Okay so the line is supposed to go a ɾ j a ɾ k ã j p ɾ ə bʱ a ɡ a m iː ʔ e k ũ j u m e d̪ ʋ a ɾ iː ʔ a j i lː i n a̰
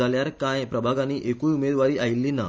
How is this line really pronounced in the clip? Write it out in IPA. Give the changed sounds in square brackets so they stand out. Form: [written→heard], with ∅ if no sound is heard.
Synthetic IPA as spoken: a [ɾ→l] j a ɾ k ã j p ɾ ə bʱ a ɡ a [m→n] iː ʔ e k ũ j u m e d̪ ʋ a ɾ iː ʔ a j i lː i n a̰

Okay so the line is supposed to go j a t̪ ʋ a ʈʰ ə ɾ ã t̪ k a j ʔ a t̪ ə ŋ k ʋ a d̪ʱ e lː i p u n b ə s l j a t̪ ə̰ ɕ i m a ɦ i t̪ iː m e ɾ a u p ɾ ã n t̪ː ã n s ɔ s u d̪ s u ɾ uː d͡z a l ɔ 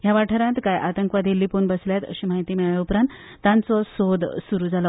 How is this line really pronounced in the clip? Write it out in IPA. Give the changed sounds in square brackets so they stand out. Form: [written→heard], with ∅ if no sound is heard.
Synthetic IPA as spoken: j a [t̪→∅] ʋ a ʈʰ ə ɾ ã t̪ k a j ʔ a t̪ ə ŋ k ʋ a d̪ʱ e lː i p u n b ə s l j a t̪ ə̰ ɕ i m a ɦ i t̪ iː m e [ɾ→ɭ] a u p ɾ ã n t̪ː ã n [s→t͡s] ɔ s [u→o] d̪ s u ɾ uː d͡z a l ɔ

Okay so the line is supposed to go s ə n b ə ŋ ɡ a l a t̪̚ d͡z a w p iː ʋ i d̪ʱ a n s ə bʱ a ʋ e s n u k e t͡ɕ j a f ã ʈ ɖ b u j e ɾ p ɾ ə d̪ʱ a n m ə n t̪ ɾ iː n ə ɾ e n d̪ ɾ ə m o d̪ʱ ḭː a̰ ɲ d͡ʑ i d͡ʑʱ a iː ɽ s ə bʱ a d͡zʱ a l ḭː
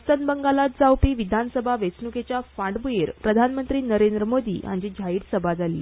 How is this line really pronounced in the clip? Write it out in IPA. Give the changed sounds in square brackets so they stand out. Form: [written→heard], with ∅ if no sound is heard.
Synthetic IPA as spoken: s ə n b ə ŋ ɡ a l a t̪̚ d͡z a w p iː ʋ i d̪ʱ a n s ə bʱ a ʋ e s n u k e t͡ɕ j a f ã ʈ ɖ b u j e ɾ p ɾ ə d̪ʱ a n m ə n t̪ ɾ iː n ə ɾ e n d̪ ɾ ə m o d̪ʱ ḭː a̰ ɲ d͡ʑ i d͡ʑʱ a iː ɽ s ə bʱ a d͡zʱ a l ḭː

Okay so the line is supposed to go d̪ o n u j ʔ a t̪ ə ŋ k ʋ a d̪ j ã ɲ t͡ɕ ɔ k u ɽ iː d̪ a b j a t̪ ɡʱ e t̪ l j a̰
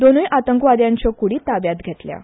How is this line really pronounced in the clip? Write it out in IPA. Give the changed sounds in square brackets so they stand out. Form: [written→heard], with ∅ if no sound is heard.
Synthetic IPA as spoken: d̪ o n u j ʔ a t̪ ə ŋ k ʋ a d̪ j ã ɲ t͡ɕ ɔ k u ɽ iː [d̪→t̪] a b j a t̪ ɡʱ e t̪ l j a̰

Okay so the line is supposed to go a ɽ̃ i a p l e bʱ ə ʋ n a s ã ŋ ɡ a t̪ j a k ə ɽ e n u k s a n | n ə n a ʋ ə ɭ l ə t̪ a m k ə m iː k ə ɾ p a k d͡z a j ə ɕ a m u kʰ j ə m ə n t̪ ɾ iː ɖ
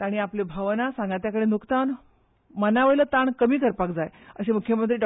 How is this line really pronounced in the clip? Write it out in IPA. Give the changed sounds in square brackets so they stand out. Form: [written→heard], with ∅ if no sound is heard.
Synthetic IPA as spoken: a ɽ̃ i a p l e bʱ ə ʋ n a s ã ŋ ɡ a t̪ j a k ə ɽ e n u k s a n | [n→m] ə n a ʋ ə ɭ l ə t̪ a [m→ɳ] k ə m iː k ə ɾ p a k d͡z a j ə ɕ [a→e] m u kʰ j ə m ə n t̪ ɾ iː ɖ

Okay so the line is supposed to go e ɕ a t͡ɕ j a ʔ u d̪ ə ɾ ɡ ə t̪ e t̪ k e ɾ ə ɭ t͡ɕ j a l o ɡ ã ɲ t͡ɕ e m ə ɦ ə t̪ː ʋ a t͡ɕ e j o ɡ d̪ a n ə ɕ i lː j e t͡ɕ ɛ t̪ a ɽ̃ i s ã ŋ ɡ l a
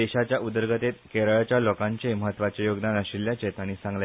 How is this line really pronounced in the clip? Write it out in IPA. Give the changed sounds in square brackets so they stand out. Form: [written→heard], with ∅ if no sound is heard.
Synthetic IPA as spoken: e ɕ a t͡ɕ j a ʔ u d̪ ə ɾ ɡ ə t̪ e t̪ k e ɾ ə ɭ t͡ɕ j a l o [ɡ→k] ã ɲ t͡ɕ e m ə ɦ ə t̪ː ʋ a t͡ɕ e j o ɡ d̪ a n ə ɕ i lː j [e→a] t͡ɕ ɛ t̪ a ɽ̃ i s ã ŋ ɡ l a

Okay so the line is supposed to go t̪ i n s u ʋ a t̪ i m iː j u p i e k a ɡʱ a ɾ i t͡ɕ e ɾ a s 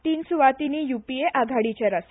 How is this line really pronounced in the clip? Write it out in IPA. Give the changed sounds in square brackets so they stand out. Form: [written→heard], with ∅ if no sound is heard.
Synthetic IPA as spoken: t̪ [i→iː] n s u ʋ a t̪ i [m→n] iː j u p i e [k→ʔ] a ɡʱ a [ɾ→ɽ] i t͡ɕ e ɾ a s

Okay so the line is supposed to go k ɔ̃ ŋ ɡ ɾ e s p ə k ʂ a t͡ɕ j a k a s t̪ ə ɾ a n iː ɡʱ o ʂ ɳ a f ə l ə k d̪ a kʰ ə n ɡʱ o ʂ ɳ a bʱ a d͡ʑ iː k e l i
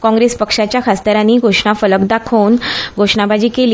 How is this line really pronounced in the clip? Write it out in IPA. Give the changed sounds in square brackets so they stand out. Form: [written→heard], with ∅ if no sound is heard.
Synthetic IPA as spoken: k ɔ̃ ŋ ɡ ɾ e s p ə k ʂ a t͡ɕ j a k a s t̪ ə ɾ a n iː ɡʱ o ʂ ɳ a f ə l ə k d̪ a kʰ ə n ɡʱ o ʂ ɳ a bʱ a d͡ʑ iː k e l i

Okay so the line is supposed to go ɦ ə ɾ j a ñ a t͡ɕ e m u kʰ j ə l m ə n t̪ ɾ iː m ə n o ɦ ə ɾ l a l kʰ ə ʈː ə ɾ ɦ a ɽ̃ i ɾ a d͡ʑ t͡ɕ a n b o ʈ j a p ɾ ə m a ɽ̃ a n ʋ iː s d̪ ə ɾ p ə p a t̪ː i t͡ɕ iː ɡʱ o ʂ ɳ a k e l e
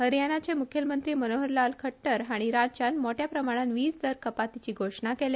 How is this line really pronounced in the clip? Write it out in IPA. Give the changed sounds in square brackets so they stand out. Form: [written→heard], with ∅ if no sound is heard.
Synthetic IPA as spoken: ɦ ə ɾ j a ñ a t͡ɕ e m u kʰ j ə l m ə n t̪ ɾ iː m ə n o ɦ ə ɾ l a l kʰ ə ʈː ə ɾ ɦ a ɽ̃ i ɾ a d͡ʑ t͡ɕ a n [b→m] o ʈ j a p ɾ ə m a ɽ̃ a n ʋ iː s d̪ ə ɾ [p→k] ə p a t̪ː i t͡ɕ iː ɡʱ o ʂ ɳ a k e l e

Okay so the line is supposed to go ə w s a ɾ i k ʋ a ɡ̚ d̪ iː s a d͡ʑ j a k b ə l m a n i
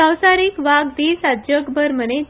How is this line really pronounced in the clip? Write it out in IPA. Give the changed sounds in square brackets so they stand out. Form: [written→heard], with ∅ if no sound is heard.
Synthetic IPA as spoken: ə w s a ɾ i k ʋ a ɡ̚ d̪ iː s a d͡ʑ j [a→ə] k b ə [l→ɾ] m [a→ə] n [i→e]

